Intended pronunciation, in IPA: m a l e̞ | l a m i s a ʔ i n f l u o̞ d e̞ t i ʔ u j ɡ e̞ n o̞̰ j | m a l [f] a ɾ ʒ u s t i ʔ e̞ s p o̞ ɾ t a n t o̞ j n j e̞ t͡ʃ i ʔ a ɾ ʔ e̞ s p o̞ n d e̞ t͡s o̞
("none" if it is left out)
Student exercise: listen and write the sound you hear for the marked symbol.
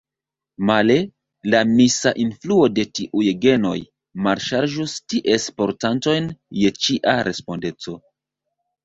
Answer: ʃ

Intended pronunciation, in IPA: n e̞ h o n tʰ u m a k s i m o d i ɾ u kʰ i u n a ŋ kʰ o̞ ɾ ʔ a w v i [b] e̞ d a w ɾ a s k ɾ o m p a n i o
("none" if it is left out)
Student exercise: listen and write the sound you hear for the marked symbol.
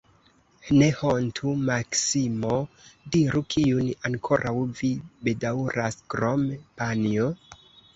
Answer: b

